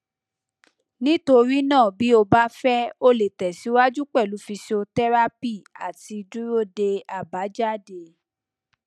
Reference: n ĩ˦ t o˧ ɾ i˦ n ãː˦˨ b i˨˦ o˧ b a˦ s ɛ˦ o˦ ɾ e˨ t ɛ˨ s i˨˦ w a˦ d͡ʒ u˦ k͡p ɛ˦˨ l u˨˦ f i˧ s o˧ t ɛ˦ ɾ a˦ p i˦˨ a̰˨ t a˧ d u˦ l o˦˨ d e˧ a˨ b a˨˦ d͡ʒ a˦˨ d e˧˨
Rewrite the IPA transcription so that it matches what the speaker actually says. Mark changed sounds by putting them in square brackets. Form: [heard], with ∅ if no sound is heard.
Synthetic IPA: n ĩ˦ t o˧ ɾ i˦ n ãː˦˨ b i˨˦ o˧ b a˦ [f] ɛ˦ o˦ [l] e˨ t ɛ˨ s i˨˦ w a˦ d͡ʒ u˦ k͡p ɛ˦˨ l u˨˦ f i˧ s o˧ t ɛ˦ ɾ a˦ p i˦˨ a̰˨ t [i˧] d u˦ [ɾ] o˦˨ d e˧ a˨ b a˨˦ d͡ʒ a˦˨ d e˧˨